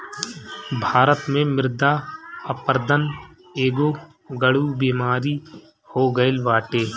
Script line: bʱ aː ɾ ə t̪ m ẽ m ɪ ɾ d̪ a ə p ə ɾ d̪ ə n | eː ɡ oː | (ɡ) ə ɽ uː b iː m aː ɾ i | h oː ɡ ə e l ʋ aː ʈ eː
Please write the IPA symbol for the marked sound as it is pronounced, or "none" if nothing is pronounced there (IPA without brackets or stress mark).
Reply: ɡ